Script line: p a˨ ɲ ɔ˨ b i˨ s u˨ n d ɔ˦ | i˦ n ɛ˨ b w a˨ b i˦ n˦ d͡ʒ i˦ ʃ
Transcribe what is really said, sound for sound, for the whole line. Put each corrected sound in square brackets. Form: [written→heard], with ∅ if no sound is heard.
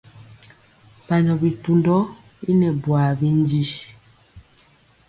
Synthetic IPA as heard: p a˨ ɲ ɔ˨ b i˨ [s→t] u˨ n d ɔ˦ | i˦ n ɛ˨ b w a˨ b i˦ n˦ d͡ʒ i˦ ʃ